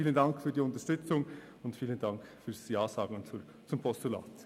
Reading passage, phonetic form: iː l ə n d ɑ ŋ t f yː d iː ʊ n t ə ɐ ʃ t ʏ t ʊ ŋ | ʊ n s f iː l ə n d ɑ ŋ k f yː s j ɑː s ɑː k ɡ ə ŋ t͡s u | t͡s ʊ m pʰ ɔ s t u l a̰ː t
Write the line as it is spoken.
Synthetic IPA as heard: iː l ə n d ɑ ŋ k f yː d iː ʊ n t ə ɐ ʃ t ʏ t͡s ʊ ŋ | ʊ n t f iː l ə n d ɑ ŋ k f yː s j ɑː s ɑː ɡ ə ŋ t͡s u | t͡s ʊ m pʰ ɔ s t u l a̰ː t